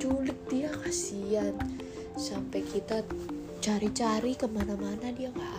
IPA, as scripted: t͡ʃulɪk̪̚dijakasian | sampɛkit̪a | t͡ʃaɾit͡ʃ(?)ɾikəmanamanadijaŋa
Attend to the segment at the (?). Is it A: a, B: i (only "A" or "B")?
A